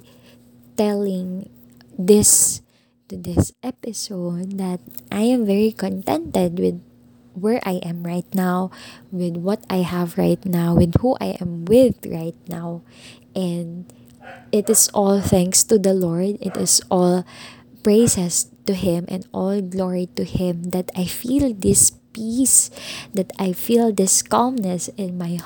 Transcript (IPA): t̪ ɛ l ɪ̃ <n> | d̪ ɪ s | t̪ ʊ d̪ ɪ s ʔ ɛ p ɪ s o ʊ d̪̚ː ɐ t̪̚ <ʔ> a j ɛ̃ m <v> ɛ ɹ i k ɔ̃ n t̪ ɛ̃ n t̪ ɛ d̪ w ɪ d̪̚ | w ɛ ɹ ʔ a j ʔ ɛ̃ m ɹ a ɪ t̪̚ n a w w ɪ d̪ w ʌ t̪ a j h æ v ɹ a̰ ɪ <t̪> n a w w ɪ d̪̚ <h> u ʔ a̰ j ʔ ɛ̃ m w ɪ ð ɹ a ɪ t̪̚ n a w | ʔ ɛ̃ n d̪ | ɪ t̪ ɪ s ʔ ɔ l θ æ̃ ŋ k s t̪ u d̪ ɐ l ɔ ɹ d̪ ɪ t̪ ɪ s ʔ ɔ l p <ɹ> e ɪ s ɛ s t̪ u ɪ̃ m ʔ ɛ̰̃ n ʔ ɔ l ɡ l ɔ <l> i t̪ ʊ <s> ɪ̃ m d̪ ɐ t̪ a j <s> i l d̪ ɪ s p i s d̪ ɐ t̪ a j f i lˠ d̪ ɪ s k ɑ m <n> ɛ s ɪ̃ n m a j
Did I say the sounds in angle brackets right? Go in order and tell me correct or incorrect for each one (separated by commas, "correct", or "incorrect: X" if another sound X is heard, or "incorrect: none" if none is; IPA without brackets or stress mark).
incorrect: ŋ, correct, correct, correct, correct, correct, incorrect: ɹ, incorrect: h, incorrect: f, correct